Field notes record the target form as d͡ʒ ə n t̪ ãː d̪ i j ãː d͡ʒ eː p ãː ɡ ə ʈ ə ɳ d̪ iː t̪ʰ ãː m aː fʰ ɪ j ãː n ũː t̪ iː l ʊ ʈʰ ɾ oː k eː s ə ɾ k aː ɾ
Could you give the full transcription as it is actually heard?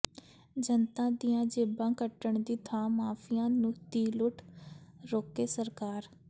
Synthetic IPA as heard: d͡ʒ ə n t̪ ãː d̪ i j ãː d͡ʒ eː b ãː k ə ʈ ə ɳ d̪ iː t̪ʰ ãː m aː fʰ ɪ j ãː n ũː t̪ iː l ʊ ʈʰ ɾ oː k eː s ə ɾ k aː ɾ